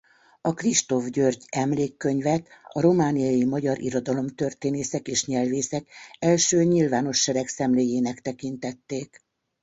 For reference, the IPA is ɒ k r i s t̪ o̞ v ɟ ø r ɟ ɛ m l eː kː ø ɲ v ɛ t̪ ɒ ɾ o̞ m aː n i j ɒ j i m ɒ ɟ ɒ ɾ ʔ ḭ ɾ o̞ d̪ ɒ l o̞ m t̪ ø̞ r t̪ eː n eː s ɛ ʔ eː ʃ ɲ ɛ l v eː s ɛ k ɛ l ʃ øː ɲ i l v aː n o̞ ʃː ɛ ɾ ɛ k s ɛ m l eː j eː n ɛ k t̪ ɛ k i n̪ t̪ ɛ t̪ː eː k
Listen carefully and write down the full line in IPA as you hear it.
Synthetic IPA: ɒ k r i ʃ t̪ o̞ v ɟ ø r ɟ ɛ m l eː kː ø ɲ v ɛ t̪ ɒ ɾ o̞ m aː n i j ɒ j i m ɒ ɟ ɒ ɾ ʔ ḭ ɾ o̞ d̪ ɒ l o̞ m t̪ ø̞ r t̪ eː n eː s ɛ k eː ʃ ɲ ɛ l v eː s ɛ k ɛ l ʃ øː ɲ i l v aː n o̞ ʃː ɛ ɾ ɛ k s ɛ m l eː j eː n ɛ k t̪ ɛ k i n̪ t̪ ɛ t̪ː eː k